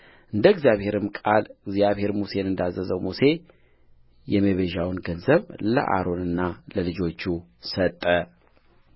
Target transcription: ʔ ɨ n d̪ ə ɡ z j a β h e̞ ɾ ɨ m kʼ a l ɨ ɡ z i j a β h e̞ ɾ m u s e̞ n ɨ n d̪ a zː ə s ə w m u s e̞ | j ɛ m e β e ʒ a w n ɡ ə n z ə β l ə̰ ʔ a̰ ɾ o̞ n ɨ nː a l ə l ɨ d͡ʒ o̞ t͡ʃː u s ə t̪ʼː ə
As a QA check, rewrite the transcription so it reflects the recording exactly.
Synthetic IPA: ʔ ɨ n d̪ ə ɡ z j a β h e̞ ɾ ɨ m kʼ a l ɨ ɡ z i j a β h e̞ ɾ m u s e̞ n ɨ n d̪ a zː ə z ə w m u s e̞ | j ɛ m e β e ʒ a w n ɡ ə n z ə β l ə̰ ʔ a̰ ɾ o̞ n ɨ nː a l ə l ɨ d͡ʒ o̞ t͡ʃː u s ə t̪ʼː ə